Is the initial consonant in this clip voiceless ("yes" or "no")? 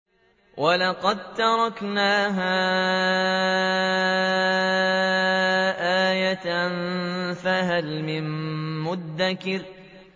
no